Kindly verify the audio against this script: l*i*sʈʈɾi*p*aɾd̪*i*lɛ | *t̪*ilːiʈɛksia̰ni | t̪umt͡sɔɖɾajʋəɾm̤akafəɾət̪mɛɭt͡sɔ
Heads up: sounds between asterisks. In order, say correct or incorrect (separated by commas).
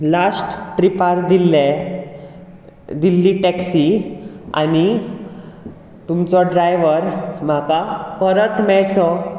incorrect, correct, correct, incorrect